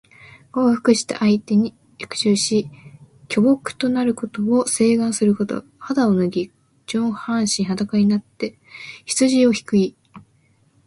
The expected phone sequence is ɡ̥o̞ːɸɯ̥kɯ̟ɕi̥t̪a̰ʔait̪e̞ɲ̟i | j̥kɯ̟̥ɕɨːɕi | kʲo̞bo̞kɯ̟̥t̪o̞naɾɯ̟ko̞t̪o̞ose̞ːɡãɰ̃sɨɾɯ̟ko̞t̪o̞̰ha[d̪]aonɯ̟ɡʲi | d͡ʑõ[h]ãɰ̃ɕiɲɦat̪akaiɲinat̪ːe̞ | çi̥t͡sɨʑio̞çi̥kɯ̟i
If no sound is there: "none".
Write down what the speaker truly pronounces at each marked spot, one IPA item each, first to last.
d̪, h

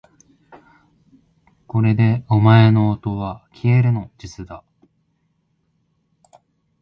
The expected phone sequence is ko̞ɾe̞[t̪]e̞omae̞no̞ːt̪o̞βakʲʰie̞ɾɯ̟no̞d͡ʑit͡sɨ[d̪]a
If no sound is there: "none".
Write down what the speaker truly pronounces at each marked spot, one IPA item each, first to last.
d̪, d̪

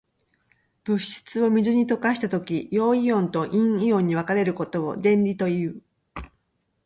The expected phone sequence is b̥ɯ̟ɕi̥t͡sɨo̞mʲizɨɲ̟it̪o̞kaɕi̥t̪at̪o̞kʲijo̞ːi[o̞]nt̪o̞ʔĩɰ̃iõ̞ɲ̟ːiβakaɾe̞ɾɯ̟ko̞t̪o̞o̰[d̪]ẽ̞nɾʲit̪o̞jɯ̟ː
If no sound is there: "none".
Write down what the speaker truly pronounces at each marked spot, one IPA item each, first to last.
õ̞, d̪

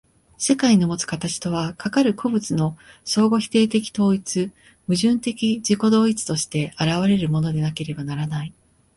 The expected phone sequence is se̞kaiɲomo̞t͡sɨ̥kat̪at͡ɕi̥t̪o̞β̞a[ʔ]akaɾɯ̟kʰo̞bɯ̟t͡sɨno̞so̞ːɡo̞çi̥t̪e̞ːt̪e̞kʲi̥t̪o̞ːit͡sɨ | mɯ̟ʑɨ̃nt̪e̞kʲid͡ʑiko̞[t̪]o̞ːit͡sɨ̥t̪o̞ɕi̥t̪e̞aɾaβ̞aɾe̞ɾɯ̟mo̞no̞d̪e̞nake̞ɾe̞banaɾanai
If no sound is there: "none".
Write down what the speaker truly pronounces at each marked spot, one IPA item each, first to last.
k, d̪

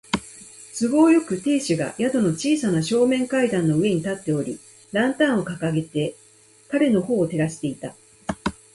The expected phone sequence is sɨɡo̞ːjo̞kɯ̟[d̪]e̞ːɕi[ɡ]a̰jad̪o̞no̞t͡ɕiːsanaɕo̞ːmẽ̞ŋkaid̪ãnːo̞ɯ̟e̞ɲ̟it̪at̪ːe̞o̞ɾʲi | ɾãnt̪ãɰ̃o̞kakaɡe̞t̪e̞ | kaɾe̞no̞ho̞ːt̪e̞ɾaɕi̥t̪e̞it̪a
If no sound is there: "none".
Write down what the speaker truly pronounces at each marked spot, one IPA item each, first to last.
t̪, ɡ

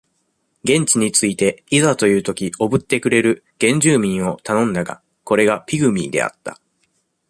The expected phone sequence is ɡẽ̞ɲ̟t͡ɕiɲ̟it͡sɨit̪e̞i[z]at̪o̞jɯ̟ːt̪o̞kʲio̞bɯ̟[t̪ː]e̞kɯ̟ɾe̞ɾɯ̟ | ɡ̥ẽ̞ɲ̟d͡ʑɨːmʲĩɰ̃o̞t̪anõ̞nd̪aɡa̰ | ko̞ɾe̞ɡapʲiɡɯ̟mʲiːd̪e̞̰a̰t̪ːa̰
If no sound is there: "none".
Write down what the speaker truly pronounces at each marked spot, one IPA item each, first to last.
z, t̪ː

